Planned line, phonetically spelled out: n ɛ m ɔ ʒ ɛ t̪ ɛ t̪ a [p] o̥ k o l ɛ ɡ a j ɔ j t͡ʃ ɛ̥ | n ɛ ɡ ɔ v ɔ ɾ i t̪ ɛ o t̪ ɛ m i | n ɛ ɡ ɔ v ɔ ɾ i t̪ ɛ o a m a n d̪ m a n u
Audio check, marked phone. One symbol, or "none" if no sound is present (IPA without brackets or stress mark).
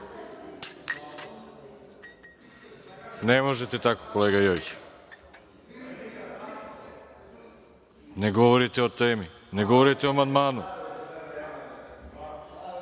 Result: k